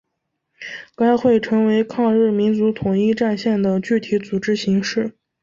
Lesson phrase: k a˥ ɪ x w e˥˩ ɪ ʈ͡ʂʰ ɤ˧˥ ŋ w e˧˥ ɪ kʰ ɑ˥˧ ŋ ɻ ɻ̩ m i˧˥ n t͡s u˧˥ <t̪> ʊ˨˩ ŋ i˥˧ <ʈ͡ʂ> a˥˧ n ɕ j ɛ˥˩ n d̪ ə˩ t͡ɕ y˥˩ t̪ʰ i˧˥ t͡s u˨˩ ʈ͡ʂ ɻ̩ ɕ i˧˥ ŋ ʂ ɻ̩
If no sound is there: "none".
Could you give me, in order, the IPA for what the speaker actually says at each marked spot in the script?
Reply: t̪ʰ, ʈ͡ʂ

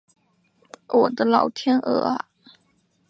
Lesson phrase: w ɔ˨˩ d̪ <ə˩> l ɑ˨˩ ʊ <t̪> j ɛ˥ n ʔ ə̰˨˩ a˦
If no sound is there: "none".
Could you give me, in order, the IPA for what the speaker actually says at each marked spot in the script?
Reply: ə˦, t̪ʰ

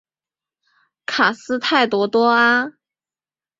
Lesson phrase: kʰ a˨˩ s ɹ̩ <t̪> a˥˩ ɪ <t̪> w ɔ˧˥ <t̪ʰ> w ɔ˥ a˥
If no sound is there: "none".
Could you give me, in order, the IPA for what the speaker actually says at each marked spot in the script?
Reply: t̪ʰ, t̪, t̪

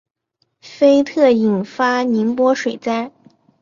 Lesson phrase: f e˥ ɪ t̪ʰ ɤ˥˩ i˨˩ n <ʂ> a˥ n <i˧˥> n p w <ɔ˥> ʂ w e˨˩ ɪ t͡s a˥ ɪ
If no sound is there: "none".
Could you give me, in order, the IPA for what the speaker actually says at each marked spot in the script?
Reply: f, i˧˥, ɔ˥

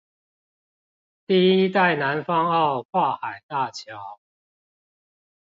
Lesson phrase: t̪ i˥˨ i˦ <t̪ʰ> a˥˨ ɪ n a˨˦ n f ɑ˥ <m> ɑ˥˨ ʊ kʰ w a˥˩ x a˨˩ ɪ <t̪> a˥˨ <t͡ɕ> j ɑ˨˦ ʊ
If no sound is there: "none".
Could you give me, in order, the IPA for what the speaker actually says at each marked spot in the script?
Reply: t̪, ŋ, t̪, t͡ɕʰ

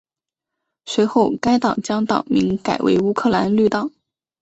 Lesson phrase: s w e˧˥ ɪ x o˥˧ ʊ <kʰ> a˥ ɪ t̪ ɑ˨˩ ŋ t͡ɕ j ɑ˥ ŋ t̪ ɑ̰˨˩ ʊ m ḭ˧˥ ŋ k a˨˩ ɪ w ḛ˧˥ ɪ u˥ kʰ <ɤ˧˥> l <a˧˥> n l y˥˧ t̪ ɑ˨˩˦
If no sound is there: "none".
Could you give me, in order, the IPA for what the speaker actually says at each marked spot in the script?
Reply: k, ɤ˥˩, a˧˥

